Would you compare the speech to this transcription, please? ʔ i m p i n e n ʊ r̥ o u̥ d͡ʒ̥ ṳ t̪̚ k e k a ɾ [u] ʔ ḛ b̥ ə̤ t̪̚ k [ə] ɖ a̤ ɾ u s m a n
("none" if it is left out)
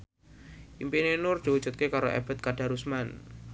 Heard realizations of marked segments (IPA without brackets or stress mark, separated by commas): o, a